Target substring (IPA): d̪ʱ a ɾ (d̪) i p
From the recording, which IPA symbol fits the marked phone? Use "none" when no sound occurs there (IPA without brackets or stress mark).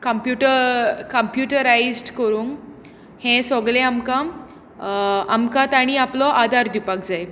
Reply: d̪